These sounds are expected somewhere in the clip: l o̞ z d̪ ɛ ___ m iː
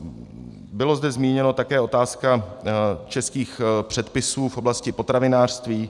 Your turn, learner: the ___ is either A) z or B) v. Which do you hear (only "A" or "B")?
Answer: A